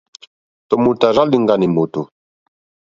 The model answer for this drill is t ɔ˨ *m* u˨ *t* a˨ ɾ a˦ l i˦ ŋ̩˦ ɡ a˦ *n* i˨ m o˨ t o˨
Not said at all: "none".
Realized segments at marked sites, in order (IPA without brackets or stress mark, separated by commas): m, t, n